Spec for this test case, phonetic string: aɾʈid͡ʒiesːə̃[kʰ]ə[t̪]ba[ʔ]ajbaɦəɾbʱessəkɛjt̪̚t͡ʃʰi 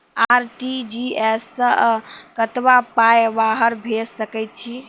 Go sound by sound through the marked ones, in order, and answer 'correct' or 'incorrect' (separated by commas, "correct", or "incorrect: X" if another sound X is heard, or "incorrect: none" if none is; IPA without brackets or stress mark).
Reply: incorrect: k, correct, incorrect: p